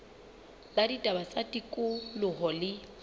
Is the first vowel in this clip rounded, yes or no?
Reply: no